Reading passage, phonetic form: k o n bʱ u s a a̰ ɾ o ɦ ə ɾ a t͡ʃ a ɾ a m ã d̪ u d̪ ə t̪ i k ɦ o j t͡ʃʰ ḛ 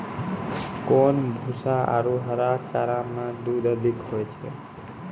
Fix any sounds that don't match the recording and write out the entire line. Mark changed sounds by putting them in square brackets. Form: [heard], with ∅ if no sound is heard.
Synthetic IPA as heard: k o n bʱ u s a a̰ ɾ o ɦ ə ɾ a t͡ʃ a ɾ a m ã d̪ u d̪ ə [d̪] i k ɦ o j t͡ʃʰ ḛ